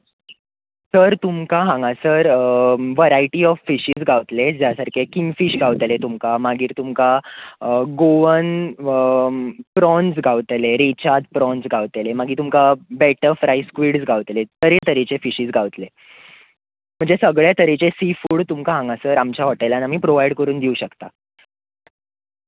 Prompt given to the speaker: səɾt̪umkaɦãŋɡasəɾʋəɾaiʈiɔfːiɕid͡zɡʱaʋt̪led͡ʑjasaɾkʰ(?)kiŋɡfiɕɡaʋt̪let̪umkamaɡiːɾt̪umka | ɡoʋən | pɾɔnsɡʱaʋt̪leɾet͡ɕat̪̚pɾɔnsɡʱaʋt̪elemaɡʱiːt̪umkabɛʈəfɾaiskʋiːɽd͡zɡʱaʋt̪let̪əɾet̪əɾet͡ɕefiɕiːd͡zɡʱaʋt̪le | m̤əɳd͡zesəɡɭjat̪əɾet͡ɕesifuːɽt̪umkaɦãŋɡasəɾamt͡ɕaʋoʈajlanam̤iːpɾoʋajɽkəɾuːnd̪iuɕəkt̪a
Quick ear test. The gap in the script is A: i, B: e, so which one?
B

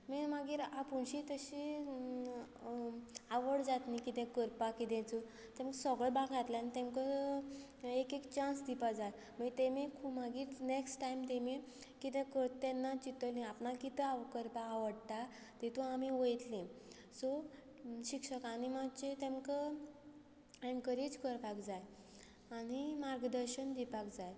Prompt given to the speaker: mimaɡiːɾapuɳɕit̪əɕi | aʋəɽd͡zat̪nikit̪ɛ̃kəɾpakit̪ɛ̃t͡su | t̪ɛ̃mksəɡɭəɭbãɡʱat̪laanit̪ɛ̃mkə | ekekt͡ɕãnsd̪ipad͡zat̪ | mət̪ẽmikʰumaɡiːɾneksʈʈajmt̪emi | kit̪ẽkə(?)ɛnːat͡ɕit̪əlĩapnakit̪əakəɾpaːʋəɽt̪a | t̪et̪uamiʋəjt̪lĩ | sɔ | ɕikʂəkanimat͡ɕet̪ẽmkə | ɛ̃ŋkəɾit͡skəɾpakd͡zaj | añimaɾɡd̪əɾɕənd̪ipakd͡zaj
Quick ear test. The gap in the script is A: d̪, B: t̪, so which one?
B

